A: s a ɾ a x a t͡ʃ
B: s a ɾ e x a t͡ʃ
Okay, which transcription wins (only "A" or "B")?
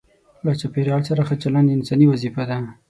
A